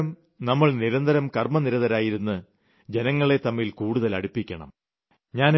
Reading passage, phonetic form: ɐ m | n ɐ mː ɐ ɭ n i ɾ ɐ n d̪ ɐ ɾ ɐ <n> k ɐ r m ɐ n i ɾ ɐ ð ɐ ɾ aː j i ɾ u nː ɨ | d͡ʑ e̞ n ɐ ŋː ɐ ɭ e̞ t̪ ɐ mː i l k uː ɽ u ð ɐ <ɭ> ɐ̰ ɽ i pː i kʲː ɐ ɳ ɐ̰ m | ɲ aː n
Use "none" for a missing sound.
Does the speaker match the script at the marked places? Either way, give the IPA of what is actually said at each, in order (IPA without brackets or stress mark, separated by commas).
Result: m, l